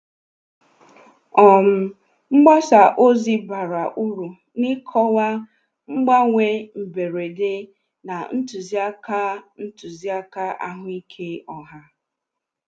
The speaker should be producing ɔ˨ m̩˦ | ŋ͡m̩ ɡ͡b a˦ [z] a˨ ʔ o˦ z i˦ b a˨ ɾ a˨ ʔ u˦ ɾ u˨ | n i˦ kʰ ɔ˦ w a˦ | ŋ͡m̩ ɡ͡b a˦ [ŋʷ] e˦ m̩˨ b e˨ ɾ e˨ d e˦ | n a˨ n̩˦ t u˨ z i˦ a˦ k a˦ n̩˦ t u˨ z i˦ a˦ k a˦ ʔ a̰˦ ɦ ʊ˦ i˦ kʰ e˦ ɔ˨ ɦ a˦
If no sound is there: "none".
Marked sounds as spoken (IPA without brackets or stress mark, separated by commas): s, ŋʷ